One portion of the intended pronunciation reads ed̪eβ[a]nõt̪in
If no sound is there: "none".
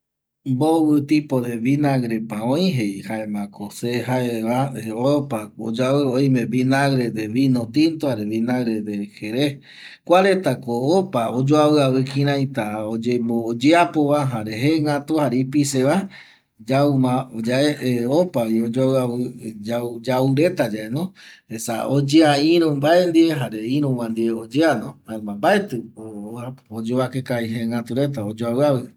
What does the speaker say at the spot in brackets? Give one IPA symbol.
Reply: i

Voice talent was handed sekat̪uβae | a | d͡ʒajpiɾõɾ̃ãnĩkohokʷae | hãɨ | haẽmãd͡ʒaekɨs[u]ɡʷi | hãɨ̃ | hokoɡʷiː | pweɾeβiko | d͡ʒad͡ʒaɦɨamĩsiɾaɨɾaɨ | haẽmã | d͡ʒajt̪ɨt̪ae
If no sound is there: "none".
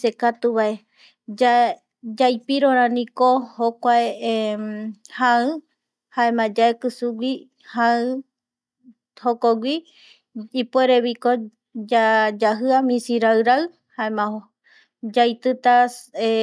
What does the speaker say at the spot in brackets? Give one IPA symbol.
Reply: u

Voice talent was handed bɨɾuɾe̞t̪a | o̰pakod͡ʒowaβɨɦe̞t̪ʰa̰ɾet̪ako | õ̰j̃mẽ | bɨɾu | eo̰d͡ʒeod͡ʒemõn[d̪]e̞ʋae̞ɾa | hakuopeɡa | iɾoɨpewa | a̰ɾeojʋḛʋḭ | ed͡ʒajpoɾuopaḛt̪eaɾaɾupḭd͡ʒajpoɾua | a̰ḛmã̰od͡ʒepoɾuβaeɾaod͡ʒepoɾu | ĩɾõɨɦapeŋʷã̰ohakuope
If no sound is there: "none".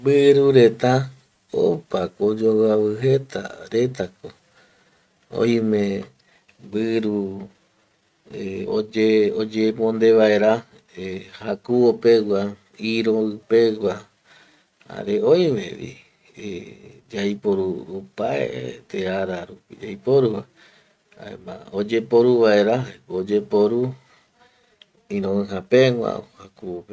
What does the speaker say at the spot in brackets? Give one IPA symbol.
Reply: d̪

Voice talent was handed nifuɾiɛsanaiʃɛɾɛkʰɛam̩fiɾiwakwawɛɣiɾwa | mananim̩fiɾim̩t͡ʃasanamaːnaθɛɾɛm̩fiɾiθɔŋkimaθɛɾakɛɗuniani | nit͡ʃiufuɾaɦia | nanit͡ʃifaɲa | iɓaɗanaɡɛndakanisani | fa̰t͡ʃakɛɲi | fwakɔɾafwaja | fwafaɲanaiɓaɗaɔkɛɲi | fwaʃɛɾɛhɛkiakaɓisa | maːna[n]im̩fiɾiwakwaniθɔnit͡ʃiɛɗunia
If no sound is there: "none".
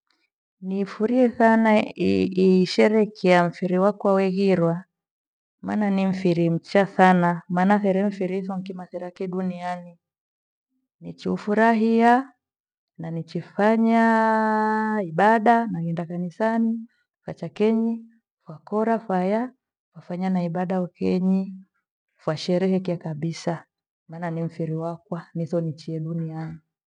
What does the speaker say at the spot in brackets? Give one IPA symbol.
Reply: n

